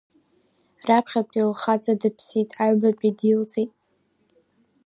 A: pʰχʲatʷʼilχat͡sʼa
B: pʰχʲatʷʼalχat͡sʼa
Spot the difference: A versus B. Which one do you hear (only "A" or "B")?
A